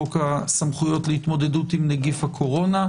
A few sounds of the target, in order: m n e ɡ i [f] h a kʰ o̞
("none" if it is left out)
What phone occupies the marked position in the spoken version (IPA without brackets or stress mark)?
f